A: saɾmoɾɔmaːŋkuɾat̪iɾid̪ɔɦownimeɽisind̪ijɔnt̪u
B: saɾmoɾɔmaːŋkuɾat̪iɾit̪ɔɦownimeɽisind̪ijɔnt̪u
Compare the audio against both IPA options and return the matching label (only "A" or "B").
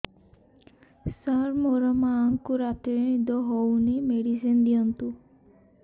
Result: A